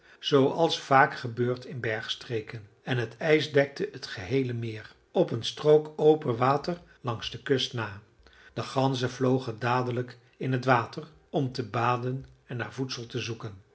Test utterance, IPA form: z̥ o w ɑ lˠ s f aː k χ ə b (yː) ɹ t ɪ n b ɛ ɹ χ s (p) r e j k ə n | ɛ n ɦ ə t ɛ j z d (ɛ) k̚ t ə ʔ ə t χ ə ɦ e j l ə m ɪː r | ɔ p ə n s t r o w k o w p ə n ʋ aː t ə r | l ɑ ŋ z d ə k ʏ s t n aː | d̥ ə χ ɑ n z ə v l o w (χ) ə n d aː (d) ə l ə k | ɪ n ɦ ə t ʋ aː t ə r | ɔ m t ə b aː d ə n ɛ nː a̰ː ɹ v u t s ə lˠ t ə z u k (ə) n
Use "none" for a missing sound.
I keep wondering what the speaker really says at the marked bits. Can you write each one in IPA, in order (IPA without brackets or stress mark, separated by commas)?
øː, t, ɛ, χ, d, ə